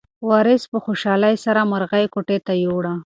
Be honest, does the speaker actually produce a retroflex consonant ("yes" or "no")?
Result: yes